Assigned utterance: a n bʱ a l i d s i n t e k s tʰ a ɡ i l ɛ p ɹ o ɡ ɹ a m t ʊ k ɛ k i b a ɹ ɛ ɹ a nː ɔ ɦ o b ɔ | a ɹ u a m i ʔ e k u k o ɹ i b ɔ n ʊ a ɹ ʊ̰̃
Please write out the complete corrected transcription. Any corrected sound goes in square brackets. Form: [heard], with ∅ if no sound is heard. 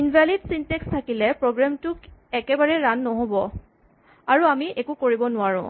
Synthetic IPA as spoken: [i] n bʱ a l i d s i n t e k s tʰ a [k] i l ɛ p ɹ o ɡ ɹ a m t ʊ k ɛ k [ɛ] b a ɹ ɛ ɹ a nː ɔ ɦ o b ɔ | a ɹ u a m i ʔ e k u k o ɹ i b ɔ n ʊ a ɹ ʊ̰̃